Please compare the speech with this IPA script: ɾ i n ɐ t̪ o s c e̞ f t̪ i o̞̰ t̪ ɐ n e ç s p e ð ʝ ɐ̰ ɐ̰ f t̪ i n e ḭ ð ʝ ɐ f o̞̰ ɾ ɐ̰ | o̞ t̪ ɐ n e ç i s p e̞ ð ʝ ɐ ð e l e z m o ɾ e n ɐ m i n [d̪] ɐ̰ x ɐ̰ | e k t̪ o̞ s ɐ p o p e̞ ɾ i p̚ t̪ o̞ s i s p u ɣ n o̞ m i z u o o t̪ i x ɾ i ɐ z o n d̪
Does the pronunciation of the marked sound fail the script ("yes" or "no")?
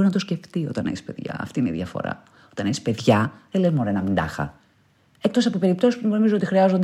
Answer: no